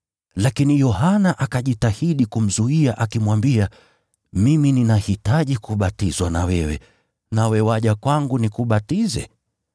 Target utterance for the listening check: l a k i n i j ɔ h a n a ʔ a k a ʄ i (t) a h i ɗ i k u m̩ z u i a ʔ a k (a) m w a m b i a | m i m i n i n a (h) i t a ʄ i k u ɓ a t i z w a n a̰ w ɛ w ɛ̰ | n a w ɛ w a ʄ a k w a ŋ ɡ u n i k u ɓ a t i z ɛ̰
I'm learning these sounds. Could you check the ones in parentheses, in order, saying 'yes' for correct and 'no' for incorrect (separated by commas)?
yes, no, yes